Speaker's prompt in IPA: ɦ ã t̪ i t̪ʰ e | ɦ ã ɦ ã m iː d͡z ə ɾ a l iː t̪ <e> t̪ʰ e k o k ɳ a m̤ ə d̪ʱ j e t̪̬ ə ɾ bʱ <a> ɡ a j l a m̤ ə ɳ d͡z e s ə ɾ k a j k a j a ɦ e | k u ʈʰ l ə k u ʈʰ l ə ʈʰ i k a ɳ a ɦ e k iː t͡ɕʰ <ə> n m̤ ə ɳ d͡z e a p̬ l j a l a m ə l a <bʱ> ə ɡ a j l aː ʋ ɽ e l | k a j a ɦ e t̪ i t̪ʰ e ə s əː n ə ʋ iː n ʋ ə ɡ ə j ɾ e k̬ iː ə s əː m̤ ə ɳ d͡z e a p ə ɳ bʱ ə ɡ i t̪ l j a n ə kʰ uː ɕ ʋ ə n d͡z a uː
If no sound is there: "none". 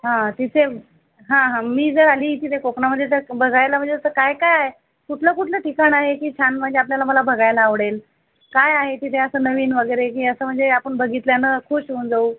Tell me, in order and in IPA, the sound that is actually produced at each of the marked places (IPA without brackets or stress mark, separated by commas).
i, ə, a, bʱ